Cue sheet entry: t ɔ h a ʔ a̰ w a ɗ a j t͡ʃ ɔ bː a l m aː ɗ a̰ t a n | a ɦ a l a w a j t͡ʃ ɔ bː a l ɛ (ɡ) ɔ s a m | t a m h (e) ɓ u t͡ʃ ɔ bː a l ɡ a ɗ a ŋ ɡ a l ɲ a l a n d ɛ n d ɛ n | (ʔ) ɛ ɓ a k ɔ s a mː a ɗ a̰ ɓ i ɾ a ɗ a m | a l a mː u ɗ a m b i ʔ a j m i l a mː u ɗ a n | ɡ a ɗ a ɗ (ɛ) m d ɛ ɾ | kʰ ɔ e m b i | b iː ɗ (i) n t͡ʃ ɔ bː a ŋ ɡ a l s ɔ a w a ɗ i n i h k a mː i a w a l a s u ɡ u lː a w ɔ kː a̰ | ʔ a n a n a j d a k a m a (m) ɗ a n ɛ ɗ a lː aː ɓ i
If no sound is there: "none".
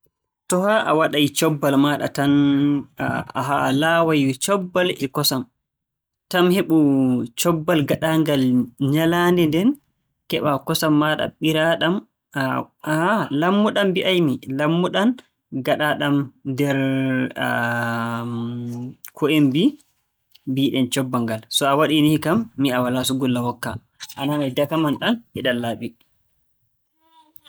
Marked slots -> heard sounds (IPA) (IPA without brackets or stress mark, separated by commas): k, e, k, a, ɛ, n